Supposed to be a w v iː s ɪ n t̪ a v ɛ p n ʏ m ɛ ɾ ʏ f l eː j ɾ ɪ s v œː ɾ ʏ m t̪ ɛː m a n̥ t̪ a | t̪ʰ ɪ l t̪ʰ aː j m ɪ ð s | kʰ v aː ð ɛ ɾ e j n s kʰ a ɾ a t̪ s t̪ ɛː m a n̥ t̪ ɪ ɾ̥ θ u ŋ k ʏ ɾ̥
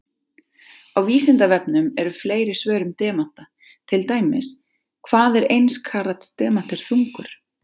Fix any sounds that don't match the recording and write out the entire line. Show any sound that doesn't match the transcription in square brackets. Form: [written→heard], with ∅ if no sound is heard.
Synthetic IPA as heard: a w v iː s ɪ n t̪ a v ɛ p n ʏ m ɛ ɾ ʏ f l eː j ɾ ɪ s v œː ɾ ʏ m t̪ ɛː m a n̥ t̪ a | t̪ʰ ɪ l [t̪ʰ→t̪] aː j m ɪ [ð→∅] s | kʰ v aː ð ɛ ɾ e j n s kʰ a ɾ a t̪ s t̪ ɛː m a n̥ t̪ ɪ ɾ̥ θ u ŋ k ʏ ɾ̥